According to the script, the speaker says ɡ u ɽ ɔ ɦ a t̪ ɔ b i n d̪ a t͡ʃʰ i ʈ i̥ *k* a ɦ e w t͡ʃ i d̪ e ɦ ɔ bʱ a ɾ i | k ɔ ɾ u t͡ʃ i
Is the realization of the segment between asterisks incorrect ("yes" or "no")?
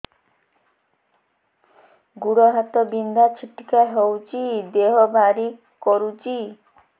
no